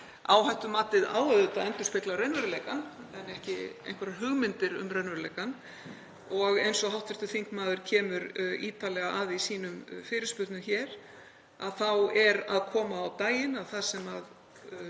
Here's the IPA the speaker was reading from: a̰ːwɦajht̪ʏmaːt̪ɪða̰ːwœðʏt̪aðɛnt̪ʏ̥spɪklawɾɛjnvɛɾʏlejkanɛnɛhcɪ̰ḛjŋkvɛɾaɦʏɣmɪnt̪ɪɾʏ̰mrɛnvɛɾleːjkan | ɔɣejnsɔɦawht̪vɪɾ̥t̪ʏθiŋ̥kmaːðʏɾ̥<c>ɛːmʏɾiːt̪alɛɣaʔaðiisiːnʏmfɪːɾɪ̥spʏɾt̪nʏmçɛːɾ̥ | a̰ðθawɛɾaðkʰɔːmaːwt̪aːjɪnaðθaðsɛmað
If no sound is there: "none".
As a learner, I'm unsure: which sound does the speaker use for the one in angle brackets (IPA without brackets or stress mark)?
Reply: cʰ